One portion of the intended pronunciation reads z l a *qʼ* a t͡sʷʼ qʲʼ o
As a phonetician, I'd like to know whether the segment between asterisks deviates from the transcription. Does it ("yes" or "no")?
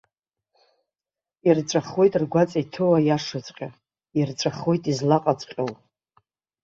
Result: no